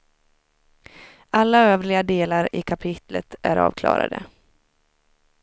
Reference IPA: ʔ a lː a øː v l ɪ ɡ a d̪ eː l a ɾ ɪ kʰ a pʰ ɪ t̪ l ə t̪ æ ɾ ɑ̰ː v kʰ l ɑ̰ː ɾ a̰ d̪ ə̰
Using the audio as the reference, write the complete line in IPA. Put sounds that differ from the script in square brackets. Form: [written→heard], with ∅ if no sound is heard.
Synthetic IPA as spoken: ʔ a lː a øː v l ɪ ɡ a d̪ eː l a ɾ ɪ kʰ a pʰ ɪ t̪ l ə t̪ æ ɾ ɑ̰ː v kʰ l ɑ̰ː ɾ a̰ d̪ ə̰